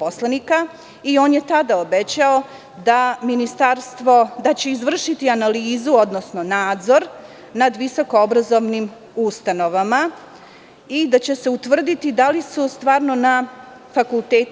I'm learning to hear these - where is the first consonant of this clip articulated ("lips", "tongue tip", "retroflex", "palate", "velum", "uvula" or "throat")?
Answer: lips